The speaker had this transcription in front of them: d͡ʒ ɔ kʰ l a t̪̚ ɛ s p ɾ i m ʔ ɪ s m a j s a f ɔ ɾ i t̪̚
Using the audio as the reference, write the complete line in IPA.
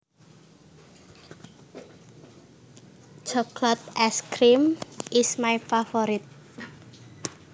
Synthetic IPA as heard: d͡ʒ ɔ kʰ l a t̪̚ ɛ s k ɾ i m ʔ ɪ s m a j f a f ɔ ɾ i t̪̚